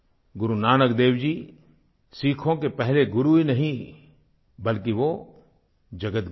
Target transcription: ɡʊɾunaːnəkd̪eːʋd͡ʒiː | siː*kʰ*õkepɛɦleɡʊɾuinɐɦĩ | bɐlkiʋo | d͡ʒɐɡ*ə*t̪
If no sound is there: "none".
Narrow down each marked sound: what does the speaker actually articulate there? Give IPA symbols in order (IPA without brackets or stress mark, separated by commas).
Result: kʰ, ə